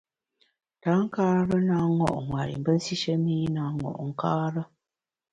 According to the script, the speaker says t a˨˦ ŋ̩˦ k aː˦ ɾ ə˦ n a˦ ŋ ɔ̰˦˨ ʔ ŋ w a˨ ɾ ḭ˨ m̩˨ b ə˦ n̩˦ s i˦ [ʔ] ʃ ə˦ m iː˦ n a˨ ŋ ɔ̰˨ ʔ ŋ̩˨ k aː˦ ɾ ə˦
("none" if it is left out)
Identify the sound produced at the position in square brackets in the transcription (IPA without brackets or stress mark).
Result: none